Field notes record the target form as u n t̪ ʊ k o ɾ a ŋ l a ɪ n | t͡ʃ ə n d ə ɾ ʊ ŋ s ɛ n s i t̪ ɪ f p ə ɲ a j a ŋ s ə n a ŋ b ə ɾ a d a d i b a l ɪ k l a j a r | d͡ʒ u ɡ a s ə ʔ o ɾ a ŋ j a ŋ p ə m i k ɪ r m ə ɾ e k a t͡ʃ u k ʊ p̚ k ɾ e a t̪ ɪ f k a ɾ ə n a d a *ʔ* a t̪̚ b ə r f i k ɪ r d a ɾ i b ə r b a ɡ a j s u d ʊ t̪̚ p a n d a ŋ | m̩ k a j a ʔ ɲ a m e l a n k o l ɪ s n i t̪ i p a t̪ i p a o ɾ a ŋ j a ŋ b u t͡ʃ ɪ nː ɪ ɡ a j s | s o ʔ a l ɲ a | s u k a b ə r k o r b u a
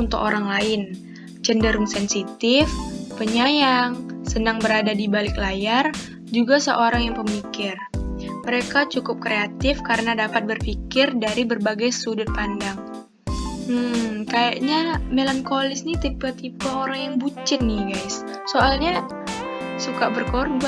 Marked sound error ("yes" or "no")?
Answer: yes